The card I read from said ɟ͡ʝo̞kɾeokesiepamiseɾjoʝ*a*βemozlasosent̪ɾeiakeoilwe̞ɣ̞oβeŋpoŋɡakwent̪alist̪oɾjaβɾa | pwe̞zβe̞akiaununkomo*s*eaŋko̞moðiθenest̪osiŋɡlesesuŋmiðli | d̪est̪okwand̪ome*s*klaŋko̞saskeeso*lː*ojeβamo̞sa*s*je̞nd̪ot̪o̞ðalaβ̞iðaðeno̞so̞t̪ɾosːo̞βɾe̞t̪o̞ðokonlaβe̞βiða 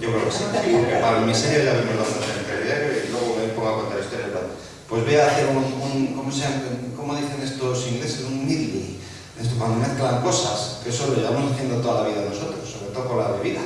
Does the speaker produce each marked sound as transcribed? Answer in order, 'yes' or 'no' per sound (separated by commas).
yes, yes, no, no, no